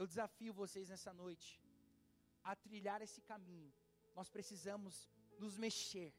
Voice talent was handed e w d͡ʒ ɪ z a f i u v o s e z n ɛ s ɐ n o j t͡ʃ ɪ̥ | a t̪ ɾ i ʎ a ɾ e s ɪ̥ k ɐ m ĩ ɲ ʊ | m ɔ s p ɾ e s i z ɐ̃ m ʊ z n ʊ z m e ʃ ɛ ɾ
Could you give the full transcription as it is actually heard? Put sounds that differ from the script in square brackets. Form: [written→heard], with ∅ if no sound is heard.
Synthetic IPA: e w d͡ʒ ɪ z a f i [u→ʊ] v o s e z n ɛ s ɐ n o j t͡ʃ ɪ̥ | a t̪ ɾ i ʎ a ɾ e s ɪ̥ k [ɐ→a] m ĩ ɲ ʊ | [m→n] ɔ s p ɾ e s i z ɐ̃ m ʊ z n ʊ z m e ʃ [ɛ→e] ɾ